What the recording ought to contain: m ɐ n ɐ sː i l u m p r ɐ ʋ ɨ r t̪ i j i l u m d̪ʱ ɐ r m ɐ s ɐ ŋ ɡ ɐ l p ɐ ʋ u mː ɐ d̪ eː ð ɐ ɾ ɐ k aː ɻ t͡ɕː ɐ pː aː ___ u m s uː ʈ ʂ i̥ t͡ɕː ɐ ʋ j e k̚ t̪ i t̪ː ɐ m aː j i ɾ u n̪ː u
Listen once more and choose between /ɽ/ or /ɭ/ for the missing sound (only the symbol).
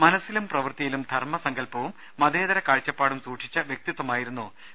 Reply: ɽ